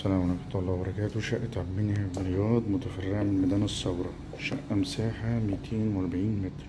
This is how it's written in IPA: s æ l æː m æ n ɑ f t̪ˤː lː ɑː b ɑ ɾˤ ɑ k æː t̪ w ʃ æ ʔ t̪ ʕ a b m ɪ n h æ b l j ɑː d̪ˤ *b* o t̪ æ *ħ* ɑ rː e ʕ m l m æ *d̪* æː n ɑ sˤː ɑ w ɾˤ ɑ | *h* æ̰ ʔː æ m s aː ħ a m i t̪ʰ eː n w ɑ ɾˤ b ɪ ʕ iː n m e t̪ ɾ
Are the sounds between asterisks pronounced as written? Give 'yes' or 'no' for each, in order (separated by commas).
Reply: no, no, yes, no